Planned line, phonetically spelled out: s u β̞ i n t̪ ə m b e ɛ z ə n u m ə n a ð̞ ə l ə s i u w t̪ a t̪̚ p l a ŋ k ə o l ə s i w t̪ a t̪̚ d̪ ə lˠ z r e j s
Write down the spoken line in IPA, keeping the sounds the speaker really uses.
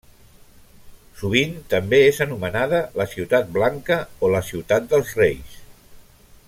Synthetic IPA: s u β̞ i n t̪ ə m b e e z ə n u m ə n a ð̞ ə l ə s i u w t̪ a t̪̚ b l a ŋ k ə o l ə s i w t̪ a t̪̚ d̪ ə lˠ z r e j s